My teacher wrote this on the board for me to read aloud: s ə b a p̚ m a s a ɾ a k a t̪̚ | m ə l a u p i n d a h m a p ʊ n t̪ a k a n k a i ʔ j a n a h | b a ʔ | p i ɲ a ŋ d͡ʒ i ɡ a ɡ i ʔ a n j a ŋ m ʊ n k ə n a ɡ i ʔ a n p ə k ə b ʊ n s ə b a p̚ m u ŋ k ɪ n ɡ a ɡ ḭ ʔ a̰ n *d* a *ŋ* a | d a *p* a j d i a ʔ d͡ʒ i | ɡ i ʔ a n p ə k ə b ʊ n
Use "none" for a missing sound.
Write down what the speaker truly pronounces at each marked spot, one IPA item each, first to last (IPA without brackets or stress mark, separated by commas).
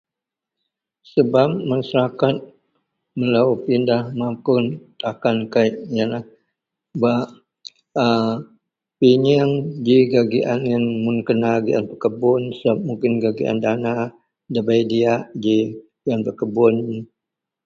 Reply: d, n, b